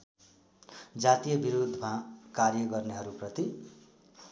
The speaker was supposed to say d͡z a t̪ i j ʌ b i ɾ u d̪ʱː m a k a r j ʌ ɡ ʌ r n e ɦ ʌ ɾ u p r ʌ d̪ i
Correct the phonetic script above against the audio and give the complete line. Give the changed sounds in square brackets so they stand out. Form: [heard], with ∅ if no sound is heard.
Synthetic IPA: d͡z a t̪ i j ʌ b i ɾ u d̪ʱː m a k a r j ʌ ɡ ʌ r n e ɦ ʌ ɾ u p r ʌ [t̪] i